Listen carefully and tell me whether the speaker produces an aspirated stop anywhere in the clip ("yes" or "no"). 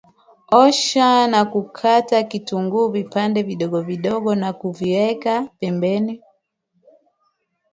yes